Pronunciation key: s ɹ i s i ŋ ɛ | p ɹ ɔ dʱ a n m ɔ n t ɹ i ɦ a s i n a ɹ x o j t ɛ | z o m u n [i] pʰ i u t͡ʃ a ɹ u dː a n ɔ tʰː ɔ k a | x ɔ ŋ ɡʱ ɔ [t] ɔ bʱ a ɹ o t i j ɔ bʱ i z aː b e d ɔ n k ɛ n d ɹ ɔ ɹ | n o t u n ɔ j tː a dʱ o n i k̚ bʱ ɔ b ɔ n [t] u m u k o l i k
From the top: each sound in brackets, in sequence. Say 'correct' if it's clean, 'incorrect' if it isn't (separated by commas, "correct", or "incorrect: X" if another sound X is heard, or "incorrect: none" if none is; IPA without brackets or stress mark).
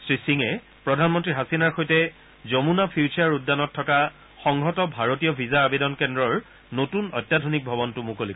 incorrect: a, correct, correct